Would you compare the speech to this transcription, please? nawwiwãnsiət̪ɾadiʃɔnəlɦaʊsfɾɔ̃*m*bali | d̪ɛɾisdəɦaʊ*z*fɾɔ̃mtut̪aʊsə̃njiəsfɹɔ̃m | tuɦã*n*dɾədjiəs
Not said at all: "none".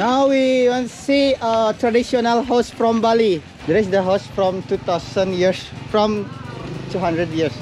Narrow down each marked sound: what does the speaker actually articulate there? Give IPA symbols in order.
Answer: m, s, n

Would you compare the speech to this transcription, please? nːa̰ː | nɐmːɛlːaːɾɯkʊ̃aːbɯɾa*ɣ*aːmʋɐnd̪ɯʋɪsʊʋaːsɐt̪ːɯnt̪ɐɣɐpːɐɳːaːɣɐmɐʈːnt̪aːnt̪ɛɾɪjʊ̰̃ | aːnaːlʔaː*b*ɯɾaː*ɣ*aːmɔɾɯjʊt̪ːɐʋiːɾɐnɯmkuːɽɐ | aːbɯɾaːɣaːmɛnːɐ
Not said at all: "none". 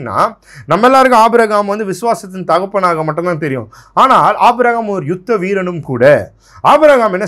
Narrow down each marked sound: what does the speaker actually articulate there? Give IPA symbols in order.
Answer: ɣ, b, ɣ

